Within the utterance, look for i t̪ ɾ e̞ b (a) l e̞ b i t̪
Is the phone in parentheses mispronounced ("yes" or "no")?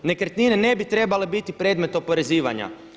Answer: no